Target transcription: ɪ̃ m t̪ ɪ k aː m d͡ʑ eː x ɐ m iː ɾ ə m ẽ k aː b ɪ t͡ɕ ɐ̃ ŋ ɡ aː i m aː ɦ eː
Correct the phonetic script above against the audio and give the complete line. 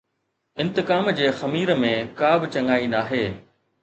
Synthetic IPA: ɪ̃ n t̪ ɪ k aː m d͡ʑ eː x ɐ m iː ɾ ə m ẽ k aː b ɪ t͡ɕ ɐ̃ ŋ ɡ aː i n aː ɦ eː